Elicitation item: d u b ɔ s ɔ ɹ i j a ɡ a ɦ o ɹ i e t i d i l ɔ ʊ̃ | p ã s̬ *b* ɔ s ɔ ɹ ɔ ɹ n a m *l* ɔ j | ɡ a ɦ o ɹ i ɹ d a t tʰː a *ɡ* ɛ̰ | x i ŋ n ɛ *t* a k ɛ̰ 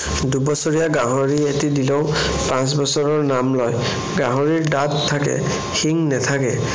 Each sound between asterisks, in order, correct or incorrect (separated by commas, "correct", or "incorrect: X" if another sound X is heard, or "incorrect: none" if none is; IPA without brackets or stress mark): correct, correct, incorrect: k, incorrect: tʰ